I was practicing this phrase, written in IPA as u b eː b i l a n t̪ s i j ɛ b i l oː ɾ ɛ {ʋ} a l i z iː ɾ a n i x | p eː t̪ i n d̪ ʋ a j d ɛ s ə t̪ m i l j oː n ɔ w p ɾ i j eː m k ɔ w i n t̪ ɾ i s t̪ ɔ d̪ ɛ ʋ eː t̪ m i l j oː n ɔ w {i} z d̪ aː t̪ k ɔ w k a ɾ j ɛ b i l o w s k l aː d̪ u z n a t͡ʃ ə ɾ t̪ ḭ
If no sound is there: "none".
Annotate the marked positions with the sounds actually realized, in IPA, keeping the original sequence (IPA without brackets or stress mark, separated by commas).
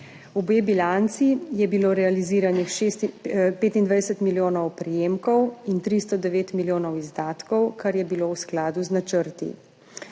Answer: none, i